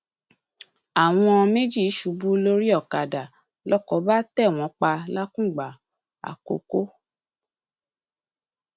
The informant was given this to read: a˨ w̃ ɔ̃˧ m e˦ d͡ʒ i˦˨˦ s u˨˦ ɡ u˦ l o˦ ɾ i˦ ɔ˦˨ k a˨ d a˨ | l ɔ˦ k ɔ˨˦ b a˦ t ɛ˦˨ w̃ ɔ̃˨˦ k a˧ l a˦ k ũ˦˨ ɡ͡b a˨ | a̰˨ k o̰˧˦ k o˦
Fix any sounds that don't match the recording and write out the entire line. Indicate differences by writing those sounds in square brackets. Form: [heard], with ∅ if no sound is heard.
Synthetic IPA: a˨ w̃ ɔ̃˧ m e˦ d͡ʒ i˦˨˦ [ʃ] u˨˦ [b] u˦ l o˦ ɾ i˦ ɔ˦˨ k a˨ d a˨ | l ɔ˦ k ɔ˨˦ b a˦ t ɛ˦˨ w̃ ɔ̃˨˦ [k͡p] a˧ l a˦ k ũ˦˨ ɡ͡b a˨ | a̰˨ k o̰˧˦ k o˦